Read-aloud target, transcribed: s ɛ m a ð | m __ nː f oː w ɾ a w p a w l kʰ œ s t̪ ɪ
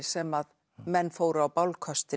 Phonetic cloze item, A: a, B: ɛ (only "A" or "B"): B